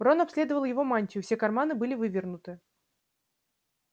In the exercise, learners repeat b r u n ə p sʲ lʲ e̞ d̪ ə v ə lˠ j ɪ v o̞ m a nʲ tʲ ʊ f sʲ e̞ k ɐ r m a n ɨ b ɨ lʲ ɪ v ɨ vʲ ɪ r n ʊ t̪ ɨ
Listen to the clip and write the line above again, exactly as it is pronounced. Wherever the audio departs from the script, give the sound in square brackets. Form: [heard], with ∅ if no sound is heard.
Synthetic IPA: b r [o] n [ɐ] p sʲ lʲ e̞ d̪ ə v ə lˠ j ɪ v o̞ m a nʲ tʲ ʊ f sʲ e̞ k ɐ r m a n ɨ b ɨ lʲ ɪ v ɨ vʲ ɪ r n ʊ t̪ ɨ